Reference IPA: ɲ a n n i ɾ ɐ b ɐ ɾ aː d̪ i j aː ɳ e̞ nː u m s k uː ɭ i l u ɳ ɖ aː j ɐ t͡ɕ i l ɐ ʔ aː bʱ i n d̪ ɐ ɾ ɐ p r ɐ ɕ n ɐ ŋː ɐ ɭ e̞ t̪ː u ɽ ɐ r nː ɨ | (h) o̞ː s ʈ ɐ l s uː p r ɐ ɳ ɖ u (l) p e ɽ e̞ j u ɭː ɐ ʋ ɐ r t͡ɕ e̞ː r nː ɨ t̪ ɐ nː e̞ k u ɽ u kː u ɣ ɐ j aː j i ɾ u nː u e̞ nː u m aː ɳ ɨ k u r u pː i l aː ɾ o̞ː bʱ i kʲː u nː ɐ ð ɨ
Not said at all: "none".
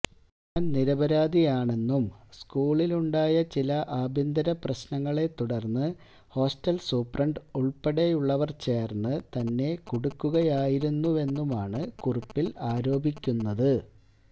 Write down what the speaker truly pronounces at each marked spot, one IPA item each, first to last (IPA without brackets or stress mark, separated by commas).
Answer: h, ɭ